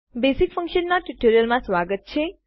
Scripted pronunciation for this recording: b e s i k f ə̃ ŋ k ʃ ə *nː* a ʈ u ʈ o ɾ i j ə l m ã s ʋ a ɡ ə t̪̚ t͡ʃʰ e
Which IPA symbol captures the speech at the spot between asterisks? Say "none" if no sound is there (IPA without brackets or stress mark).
nː